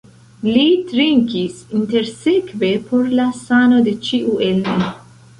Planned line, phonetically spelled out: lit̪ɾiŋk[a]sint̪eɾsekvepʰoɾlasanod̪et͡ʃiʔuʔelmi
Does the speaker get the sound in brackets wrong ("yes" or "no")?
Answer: yes